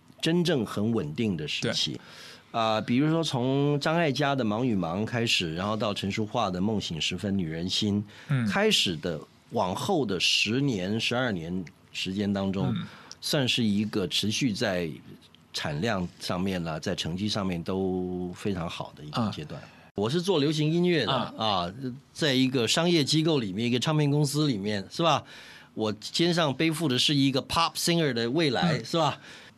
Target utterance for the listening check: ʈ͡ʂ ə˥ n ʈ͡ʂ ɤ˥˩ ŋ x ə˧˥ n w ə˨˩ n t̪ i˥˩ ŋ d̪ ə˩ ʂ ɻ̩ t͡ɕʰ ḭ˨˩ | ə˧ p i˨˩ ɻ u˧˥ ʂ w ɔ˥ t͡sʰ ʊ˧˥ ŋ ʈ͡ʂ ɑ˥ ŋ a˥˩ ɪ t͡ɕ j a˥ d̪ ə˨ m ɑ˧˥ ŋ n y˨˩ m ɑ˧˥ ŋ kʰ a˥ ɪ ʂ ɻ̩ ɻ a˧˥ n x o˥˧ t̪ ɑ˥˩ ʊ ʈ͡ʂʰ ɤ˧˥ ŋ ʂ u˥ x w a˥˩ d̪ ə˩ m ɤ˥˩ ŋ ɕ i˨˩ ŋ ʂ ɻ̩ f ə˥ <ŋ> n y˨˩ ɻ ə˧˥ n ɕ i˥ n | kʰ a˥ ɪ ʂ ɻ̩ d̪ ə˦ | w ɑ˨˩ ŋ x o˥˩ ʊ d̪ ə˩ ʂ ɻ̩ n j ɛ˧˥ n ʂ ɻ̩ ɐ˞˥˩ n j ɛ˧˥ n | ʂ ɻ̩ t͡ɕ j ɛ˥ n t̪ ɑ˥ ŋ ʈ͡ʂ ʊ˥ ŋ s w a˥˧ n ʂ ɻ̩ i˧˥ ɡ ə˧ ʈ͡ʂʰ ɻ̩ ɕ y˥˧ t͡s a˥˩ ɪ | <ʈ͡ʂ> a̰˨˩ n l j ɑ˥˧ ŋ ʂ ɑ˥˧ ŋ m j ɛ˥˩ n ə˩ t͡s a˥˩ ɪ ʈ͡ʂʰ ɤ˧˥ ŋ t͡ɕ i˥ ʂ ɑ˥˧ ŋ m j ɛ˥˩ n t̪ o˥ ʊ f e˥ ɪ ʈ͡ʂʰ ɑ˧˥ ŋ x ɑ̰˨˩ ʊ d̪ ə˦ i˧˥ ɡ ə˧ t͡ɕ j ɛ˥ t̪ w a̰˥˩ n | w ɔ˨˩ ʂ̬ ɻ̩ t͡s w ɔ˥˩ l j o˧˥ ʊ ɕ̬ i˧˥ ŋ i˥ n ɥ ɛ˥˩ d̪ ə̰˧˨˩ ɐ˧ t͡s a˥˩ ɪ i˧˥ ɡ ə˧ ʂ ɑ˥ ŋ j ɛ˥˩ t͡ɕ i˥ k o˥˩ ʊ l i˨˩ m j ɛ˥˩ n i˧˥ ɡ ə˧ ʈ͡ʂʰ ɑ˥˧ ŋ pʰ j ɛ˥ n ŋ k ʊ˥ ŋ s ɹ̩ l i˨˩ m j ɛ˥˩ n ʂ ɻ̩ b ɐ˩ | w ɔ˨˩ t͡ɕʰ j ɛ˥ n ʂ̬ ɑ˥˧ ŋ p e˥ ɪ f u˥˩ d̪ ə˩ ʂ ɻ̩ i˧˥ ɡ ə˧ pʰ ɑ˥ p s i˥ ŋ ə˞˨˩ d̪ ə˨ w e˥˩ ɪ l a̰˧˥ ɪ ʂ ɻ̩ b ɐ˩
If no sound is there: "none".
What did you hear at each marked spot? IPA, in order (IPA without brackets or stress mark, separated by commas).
n, ʈ͡ʂʰ